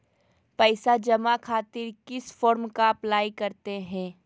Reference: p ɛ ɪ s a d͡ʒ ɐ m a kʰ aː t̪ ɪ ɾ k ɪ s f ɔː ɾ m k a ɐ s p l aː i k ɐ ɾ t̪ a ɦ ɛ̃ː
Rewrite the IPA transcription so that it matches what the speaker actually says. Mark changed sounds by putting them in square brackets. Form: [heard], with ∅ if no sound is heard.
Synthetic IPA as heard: p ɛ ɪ s a d͡ʒ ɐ m a kʰ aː t̪ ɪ ɾ k ɪ s f ɔː ɾ m k a ɐ [∅] p l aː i k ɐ ɾ t̪ [e] ɦ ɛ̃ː

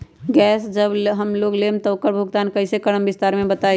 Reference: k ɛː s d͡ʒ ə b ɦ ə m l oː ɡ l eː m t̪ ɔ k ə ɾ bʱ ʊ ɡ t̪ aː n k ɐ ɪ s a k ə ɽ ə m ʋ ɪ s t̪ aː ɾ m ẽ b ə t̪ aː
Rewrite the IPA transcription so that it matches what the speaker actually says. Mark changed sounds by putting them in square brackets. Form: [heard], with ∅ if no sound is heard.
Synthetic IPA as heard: [ɡ] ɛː s d͡ʒ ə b ɦ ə m l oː ɡ l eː m t̪ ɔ k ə ɾ bʱ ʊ ɡ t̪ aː n k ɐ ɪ s [e] k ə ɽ ə m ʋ ɪ s t̪ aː ɾ m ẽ b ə t̪ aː

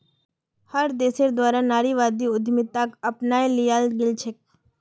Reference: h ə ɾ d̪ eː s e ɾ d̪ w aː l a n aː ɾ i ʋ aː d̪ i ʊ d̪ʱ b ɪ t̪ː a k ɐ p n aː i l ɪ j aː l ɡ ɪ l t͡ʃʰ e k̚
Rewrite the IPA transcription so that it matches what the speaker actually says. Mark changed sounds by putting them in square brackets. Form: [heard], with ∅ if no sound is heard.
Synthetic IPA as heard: h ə ɾ d̪ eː s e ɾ d̪ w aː [ɾ] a n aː ɾ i ʋ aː d̪ i ʊ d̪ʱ [m] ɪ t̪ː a k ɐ p n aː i l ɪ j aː l ɡ ɪ l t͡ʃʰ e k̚

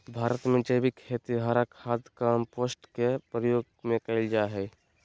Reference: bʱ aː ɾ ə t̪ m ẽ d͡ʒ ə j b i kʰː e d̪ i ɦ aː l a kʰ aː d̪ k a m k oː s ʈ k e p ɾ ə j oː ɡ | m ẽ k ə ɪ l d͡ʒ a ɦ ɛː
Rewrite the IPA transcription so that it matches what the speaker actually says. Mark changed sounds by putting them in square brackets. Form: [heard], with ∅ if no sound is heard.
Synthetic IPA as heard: bʱ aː ɾ ə t̪ m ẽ d͡ʒ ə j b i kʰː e [t̪] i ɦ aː [ɾ] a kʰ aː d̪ k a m [p] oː s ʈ k e p ɾ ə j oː ɡ | m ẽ k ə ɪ l d͡ʒ a ɦ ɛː

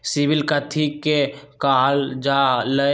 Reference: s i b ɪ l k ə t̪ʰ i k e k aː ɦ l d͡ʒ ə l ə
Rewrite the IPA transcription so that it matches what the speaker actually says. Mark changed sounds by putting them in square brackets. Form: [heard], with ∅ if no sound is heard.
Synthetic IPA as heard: s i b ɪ l k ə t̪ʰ i k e k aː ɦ l d͡ʒ [a] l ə

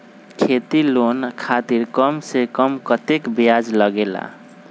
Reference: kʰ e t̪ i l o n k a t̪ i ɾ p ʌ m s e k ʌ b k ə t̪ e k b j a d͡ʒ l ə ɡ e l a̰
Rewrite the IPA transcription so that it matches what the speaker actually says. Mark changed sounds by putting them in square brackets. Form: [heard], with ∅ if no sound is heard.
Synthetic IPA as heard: kʰ e t̪ i l o n [kʰ] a t̪ i ɾ [k] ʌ m s e k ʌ [m] k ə t̪ e k b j a d͡ʒ l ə ɡ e l a̰

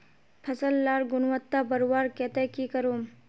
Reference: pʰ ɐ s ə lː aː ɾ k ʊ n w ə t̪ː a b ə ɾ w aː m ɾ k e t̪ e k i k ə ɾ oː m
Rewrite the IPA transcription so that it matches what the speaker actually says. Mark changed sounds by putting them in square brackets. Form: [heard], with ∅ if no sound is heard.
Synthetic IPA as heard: pʰ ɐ s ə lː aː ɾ [ɡ] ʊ n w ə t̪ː a b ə ɾ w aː [∅] ɾ k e t̪ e k i k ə ɾ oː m

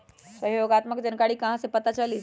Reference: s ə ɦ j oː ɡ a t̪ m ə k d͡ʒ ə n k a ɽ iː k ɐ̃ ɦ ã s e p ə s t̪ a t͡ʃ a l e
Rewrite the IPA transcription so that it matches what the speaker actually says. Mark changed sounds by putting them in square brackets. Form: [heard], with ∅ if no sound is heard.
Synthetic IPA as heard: s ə ɦ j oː ɡ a t̪ m ə k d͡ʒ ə n k a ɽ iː k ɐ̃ ɦ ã s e p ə [∅] t̪ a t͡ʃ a l [i]

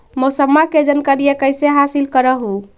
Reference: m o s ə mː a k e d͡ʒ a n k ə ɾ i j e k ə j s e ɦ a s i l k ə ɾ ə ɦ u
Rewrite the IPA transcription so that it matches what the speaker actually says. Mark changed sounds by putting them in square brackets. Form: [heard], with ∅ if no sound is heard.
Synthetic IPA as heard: m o s ə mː a k e d͡ʒ [ə] n k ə ɾ i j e k ə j s e ɦ a s i l k ə ɾ ə ɦ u

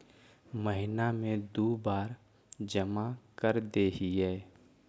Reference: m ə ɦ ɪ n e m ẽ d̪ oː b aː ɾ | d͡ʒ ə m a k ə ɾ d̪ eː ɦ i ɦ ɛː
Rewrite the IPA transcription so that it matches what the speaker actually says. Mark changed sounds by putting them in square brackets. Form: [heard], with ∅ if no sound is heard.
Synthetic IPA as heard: m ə ɦ ɪ n [a] m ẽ d̪ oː b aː ɾ | d͡ʒ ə m a k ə ɾ d̪ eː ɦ i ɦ ɛː

